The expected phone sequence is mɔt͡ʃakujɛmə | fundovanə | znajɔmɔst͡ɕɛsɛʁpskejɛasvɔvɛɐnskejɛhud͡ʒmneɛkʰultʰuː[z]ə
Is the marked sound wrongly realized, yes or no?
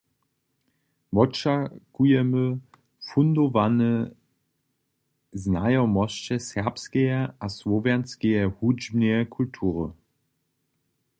yes